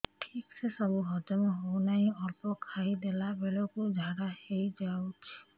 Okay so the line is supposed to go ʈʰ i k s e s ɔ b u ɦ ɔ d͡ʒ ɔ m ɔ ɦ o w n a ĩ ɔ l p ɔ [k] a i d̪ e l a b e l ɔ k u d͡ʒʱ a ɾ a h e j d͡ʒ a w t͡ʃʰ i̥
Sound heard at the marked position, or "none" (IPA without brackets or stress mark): kʰ